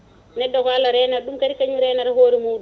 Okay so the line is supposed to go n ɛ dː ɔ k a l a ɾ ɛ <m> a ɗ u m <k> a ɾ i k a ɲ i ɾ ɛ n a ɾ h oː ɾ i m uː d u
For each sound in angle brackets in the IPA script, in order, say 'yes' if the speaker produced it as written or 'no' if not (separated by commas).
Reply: no, yes